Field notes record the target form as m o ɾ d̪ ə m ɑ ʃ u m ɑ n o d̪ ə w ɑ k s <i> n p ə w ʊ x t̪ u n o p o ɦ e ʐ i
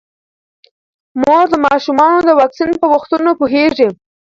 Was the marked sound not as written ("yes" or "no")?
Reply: no